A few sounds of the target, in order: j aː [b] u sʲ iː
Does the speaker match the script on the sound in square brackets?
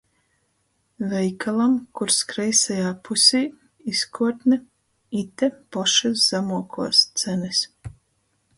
no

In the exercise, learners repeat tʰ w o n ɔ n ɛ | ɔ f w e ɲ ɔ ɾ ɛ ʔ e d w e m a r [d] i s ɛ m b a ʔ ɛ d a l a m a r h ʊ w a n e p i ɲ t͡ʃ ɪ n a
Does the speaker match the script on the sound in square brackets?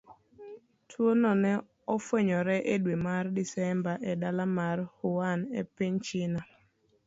yes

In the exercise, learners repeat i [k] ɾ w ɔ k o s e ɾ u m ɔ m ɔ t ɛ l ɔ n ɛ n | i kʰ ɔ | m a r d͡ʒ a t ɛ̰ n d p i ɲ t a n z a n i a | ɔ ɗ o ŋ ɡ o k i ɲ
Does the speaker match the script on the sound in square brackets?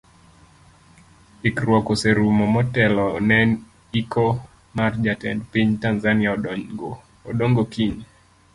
yes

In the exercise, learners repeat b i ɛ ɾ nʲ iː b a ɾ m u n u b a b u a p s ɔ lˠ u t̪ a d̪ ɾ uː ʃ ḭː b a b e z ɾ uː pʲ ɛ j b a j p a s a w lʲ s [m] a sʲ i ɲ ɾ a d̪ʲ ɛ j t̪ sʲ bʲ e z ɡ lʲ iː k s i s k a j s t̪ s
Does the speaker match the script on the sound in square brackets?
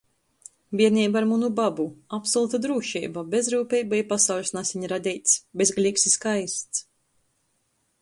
no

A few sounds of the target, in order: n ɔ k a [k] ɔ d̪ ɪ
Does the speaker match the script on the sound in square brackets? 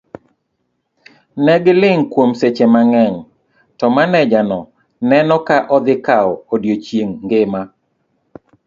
no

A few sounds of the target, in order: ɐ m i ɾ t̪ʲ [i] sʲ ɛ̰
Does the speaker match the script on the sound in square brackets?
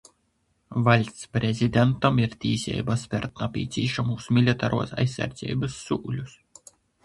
no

